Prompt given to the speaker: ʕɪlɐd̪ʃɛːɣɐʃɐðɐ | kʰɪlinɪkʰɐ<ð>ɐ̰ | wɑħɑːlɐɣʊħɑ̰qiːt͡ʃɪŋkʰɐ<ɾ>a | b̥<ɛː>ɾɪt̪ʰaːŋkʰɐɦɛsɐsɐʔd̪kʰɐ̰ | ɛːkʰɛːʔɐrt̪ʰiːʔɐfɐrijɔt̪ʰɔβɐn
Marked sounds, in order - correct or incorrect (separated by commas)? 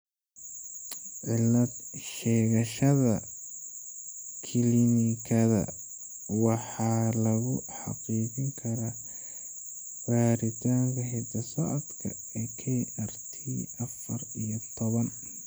correct, correct, incorrect